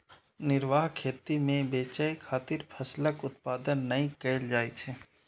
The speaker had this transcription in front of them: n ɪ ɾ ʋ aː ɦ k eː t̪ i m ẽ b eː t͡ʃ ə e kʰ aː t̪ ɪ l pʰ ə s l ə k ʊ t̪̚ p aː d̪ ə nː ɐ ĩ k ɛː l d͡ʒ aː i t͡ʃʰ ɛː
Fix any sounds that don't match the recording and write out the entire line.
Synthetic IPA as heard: n ɪ ɾ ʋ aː ɦ kʰ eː t̪ i m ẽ b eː t͡ʃ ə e kʰ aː t̪ ɪ ɾ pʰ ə s l ə k ʊ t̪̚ p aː d̪ ə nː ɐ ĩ k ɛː l d͡ʒ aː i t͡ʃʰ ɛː